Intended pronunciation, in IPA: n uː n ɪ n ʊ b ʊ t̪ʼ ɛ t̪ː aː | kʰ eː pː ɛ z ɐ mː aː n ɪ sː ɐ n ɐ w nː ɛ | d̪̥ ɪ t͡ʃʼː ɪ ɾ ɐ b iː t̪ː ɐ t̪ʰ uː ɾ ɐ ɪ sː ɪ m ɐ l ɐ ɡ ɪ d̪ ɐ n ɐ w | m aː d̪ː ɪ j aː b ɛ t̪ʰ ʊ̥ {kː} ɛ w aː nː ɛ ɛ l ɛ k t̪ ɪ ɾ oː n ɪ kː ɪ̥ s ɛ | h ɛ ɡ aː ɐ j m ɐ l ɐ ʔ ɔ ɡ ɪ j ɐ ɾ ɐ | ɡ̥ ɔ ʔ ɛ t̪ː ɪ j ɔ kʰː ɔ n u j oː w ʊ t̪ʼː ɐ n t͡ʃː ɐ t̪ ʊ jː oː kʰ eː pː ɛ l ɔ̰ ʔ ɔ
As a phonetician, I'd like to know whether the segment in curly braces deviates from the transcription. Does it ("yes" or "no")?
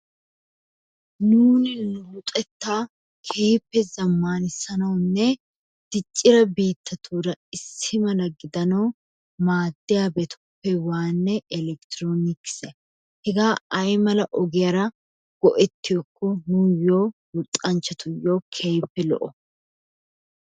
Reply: yes